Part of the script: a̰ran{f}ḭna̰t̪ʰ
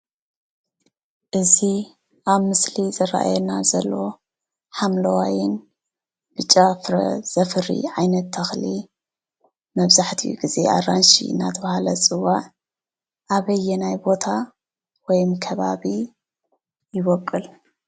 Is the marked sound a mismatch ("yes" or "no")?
yes